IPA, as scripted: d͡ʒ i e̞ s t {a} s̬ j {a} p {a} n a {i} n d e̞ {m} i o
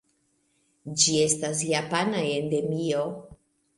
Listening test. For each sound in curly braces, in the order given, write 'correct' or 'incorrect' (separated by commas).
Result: correct, correct, correct, incorrect, correct